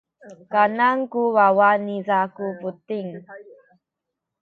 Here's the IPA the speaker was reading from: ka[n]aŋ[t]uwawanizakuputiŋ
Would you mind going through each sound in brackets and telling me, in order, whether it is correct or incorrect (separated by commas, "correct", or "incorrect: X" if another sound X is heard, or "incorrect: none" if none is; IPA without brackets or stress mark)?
correct, incorrect: k